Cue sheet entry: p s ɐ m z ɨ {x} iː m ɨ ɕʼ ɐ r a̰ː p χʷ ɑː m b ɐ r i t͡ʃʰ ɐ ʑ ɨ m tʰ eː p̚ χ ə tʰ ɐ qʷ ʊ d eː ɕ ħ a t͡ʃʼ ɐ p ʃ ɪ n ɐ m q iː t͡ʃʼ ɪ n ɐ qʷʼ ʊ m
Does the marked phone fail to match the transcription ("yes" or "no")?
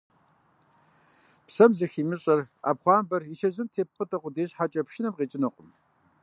no